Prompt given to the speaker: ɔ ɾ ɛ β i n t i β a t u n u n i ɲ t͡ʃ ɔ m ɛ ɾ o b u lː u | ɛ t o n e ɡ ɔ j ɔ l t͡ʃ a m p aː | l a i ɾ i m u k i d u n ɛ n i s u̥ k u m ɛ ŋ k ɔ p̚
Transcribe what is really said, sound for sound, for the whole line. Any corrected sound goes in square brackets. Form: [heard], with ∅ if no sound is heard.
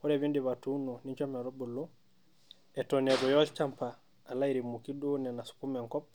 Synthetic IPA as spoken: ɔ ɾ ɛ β i n [d] i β a t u n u n i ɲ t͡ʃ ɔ m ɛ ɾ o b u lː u | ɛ t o n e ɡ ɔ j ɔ l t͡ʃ a m p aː | l a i ɾ i m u k i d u n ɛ n [a] s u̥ k u m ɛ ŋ k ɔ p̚